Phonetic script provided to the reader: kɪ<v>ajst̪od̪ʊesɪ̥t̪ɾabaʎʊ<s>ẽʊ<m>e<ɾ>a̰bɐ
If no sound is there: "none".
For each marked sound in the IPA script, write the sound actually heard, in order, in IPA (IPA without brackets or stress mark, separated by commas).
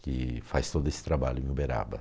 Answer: f, none, b, ɾ